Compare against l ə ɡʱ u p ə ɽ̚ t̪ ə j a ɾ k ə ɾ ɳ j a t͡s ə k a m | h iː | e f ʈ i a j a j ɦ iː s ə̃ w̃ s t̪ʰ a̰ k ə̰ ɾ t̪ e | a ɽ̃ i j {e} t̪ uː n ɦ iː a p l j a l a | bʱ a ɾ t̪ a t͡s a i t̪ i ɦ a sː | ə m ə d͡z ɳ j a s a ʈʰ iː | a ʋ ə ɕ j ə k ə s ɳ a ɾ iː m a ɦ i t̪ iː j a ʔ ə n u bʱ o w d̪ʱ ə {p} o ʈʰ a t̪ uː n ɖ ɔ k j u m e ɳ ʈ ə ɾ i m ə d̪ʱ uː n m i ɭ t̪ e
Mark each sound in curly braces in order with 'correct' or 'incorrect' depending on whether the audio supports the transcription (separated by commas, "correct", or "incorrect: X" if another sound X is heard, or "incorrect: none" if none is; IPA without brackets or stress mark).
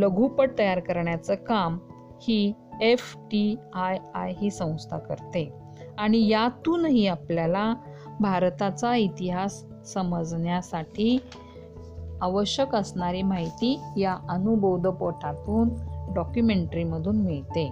incorrect: a, correct